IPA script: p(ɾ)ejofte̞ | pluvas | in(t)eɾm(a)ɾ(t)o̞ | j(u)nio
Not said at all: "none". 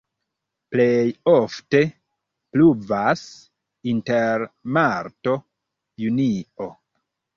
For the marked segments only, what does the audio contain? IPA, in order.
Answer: l, t, a, t, u

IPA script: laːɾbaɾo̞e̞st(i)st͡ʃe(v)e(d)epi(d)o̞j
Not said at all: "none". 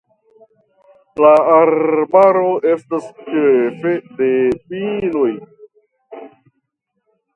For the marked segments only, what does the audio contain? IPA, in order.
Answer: a, f, d, n

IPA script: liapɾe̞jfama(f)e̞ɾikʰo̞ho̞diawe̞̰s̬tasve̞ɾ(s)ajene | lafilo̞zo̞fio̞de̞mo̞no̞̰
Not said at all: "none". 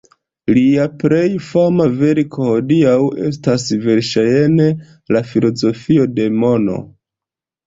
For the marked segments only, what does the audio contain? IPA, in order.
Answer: v, ʃ

